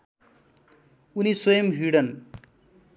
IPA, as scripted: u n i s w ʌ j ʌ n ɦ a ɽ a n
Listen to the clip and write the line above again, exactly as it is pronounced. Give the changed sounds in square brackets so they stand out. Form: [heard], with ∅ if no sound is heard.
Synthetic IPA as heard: u n i s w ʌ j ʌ [m] ɦ [i] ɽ [ʌ] n